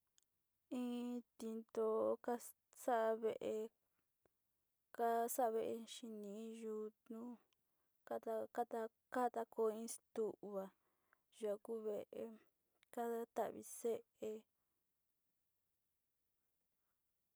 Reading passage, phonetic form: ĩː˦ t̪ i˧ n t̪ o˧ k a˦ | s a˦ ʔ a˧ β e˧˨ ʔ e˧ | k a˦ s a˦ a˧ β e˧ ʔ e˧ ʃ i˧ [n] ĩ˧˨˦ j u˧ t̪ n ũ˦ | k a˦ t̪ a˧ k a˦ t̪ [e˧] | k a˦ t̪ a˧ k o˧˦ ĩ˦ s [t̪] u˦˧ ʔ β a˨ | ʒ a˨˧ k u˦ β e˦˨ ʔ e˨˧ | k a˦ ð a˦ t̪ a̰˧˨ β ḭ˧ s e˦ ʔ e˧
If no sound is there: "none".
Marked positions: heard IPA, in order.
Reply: n, a˧, t̪

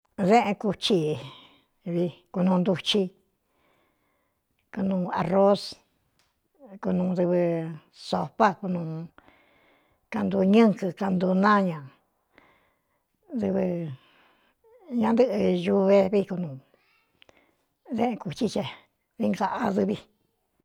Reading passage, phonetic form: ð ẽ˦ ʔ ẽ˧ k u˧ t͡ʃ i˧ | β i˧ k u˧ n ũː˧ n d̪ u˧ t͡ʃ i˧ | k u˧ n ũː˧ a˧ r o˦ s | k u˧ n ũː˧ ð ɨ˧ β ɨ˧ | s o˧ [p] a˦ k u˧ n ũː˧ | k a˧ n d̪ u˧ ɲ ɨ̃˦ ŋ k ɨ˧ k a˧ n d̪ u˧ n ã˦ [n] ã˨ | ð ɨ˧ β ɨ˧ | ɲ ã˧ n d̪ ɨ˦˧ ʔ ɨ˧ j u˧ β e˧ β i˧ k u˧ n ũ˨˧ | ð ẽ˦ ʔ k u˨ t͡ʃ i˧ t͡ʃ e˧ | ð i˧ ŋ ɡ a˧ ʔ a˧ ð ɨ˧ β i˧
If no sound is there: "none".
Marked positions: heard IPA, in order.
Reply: p, ɲ

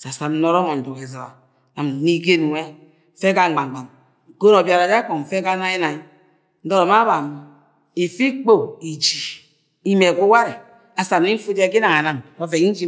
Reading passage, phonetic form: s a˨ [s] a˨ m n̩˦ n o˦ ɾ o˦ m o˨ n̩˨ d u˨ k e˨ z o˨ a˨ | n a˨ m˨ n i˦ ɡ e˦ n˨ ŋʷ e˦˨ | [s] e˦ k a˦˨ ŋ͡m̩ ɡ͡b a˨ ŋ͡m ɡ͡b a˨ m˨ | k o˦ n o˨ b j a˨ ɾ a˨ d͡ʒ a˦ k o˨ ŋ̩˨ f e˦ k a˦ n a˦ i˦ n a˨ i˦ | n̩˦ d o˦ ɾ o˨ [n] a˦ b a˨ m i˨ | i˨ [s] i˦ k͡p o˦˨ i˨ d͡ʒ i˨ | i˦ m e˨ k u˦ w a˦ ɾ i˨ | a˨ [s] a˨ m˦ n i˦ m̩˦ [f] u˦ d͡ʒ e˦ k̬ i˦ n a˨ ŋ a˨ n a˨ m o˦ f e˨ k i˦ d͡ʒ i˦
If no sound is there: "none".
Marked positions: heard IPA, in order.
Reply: s, f, m, f, s, f

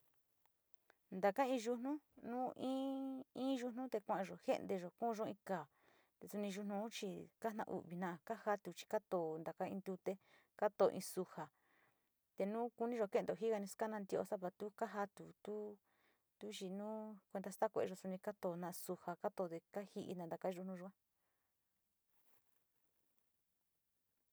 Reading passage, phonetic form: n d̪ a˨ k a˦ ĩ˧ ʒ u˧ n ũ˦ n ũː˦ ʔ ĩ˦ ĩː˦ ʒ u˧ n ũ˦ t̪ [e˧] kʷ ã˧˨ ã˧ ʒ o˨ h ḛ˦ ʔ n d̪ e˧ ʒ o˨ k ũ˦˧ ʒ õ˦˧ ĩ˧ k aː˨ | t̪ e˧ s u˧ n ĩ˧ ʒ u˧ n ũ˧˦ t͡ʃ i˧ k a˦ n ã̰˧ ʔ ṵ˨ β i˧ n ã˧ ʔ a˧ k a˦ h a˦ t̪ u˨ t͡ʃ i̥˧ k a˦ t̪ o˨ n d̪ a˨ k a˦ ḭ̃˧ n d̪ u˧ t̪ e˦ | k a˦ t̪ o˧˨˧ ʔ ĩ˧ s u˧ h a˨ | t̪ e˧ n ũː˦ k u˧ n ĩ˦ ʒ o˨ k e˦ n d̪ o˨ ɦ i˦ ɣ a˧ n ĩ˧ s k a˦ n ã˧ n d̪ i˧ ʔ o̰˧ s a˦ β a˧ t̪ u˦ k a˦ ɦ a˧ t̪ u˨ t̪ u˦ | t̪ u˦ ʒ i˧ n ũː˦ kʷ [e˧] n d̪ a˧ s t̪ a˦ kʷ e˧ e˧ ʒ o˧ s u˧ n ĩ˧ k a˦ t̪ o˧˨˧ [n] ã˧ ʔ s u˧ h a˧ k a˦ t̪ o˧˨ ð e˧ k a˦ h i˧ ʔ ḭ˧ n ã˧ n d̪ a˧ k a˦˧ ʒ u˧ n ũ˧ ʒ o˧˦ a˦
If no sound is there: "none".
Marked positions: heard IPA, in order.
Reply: e˧, e˧, n

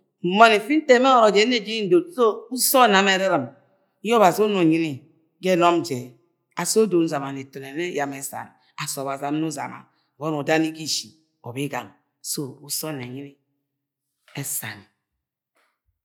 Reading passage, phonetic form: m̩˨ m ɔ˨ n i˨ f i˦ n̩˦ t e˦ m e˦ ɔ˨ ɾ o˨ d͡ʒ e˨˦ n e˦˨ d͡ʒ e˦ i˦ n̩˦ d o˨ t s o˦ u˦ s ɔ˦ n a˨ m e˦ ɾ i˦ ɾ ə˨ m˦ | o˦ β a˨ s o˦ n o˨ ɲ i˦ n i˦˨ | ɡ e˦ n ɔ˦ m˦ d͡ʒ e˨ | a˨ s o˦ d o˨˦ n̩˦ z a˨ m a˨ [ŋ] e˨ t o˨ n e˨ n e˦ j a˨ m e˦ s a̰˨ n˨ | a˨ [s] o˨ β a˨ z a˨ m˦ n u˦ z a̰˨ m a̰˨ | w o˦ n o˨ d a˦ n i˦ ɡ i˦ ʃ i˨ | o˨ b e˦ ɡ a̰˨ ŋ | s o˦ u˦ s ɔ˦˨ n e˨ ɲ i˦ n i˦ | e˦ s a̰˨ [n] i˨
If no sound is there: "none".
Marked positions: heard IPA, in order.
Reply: n, s, n

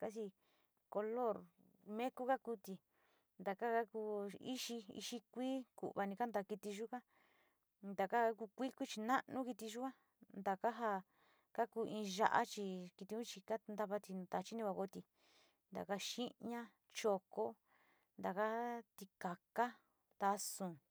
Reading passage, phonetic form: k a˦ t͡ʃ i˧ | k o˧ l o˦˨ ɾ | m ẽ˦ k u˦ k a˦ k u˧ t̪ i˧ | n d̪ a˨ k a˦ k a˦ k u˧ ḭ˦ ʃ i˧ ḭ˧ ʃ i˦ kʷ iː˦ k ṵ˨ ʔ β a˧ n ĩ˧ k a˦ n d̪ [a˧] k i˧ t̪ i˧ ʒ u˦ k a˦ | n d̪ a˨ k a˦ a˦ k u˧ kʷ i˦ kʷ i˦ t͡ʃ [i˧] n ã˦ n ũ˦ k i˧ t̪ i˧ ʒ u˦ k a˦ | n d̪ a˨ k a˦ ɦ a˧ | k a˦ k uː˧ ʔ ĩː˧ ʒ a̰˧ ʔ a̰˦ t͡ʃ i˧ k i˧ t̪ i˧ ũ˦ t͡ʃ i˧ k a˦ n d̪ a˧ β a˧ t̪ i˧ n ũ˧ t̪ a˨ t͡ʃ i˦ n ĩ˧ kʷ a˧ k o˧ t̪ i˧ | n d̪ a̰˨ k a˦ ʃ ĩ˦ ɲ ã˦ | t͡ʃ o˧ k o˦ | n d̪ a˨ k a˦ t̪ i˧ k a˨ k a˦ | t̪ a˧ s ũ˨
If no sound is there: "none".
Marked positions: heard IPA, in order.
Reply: a˧, i˧

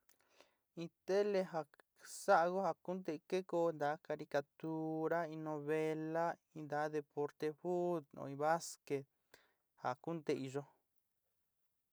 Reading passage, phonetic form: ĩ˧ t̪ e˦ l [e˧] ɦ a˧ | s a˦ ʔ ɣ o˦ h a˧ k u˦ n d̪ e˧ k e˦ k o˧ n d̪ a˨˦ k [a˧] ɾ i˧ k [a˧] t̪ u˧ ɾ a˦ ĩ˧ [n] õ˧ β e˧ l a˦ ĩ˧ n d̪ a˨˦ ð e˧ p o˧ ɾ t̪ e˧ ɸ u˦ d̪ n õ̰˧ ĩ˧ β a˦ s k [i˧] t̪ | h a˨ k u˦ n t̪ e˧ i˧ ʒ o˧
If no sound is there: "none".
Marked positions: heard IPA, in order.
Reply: e˧, a˧, a˧, n, e˧

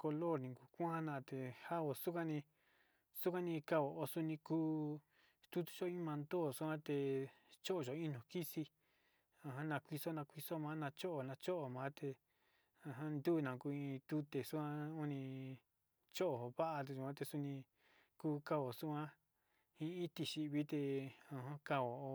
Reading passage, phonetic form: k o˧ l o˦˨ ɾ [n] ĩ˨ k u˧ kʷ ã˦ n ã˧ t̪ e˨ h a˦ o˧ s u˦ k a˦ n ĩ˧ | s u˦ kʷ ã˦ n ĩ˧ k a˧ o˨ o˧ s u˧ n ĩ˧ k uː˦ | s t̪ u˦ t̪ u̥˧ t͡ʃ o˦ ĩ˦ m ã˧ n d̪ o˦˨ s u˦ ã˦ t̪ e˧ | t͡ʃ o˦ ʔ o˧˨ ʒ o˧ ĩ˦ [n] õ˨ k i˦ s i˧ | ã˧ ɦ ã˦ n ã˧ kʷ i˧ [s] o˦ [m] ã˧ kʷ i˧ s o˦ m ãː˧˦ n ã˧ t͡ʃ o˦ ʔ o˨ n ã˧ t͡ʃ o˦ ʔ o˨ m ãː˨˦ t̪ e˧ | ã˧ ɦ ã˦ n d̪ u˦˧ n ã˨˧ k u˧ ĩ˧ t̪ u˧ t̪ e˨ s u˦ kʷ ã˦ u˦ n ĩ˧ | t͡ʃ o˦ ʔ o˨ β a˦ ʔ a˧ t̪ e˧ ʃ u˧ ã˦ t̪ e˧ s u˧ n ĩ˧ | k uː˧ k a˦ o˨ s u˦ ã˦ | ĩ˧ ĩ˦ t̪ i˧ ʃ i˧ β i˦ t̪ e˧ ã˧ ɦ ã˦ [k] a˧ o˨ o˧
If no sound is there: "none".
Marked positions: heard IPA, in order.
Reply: n, n, s, n, k

